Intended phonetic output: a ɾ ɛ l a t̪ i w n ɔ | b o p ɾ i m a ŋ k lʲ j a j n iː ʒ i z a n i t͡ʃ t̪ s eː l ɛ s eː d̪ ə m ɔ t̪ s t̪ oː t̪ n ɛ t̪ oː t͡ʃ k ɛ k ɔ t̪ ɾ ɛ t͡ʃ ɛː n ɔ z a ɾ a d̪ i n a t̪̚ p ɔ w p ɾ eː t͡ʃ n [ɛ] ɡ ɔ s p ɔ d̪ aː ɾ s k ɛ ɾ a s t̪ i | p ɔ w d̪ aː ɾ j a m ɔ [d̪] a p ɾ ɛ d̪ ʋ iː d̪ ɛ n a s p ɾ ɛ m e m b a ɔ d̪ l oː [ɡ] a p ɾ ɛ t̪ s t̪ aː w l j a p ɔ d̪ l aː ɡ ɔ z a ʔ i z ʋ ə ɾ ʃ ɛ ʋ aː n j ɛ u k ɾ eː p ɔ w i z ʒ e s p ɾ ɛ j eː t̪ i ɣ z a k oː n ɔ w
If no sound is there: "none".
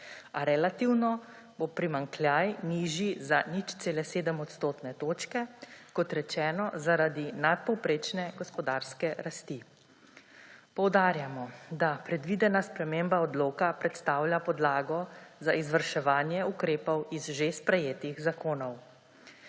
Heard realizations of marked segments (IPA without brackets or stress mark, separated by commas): ɛ, d̪, k